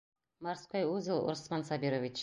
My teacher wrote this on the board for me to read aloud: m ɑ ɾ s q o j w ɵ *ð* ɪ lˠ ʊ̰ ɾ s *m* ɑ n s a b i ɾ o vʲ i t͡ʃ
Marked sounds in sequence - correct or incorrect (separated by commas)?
incorrect, correct